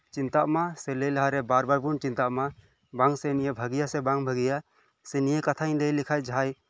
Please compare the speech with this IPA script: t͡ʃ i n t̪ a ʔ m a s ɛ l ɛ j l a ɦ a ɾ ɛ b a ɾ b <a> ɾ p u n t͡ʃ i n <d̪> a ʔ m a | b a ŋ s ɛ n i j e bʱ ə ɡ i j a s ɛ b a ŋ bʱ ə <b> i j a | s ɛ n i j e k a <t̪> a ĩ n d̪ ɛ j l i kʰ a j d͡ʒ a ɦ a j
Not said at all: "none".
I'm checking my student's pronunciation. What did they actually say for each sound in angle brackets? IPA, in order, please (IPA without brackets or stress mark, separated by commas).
a, t̪, ɡ, t̪ʰ